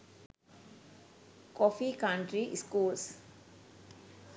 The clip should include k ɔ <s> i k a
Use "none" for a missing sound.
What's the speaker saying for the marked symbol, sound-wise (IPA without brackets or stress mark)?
f